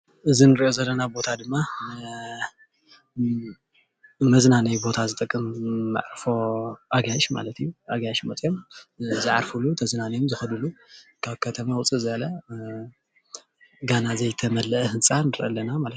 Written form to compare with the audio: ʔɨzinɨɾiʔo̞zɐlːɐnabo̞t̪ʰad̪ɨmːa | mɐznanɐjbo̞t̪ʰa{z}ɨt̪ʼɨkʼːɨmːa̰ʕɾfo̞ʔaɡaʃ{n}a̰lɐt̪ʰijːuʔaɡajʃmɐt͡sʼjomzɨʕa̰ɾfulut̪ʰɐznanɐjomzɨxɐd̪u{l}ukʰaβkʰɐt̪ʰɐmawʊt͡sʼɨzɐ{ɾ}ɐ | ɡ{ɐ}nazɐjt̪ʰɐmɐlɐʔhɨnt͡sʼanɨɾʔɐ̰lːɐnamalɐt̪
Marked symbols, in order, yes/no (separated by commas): yes, no, yes, no, no